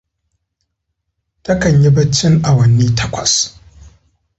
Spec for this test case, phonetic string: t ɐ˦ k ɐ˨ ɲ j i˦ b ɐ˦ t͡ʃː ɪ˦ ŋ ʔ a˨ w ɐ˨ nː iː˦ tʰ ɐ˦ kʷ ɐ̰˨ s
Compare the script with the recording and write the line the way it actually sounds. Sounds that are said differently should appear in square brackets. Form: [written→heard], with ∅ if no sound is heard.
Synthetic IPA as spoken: t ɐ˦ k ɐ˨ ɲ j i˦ b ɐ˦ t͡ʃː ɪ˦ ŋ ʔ a˨ w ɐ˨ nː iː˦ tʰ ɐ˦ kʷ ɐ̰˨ s